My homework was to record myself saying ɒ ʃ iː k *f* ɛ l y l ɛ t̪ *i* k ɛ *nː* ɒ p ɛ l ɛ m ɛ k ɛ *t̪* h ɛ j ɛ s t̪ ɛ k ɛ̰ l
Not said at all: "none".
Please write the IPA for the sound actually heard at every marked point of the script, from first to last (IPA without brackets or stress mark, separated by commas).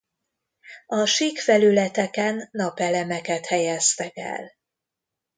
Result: f, ɛ, nː, t̪